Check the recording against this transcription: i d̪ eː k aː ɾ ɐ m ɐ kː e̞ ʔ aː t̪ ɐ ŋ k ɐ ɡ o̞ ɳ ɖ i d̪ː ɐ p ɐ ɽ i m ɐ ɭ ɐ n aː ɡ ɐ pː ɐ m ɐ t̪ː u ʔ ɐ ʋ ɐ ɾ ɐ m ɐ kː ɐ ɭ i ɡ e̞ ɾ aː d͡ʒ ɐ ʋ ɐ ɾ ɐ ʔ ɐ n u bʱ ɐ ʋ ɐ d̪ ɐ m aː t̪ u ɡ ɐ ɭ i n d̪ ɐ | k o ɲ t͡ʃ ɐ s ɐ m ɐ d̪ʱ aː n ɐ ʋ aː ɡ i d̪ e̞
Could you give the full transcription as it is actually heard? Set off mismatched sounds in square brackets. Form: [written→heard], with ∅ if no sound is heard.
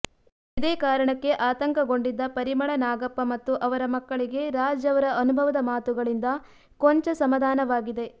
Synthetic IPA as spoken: i d̪ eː k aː ɾ ɐ [m→ɳ] ɐ kː e̞ ʔ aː t̪ ɐ ŋ k ɐ ɡ o̞ ɳ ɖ i d̪ː ɐ p ɐ [ɽ→ɾ] i m ɐ ɭ ɐ n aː ɡ ɐ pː ɐ m ɐ t̪ː u ʔ ɐ ʋ ɐ ɾ ɐ m ɐ kː ɐ ɭ i ɡ e̞ ɾ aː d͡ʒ ɐ ʋ ɐ ɾ ɐ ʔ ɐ n u bʱ ɐ ʋ ɐ d̪ ɐ m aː t̪ u ɡ ɐ ɭ i n d̪ ɐ | k o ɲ t͡ʃ ɐ s ɐ m ɐ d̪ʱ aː n ɐ ʋ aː ɡ i d̪ e̞